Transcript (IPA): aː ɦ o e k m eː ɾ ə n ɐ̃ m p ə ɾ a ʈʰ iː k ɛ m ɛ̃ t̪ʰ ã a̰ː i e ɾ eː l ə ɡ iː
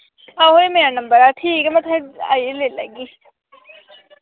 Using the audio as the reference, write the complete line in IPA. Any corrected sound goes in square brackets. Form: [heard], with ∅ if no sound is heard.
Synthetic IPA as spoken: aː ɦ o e [∅] m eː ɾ [a] n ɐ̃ m [b] ə ɾ a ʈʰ iː k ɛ m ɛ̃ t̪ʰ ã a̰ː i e [l] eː l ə ɡ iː